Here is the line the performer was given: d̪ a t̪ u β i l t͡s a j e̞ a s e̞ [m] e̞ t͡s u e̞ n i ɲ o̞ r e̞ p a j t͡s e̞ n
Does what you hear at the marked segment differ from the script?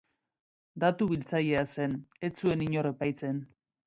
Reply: yes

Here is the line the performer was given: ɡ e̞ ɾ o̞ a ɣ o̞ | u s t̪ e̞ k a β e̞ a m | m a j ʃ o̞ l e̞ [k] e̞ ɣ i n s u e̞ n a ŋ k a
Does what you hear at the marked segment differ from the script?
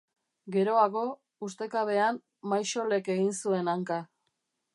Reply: no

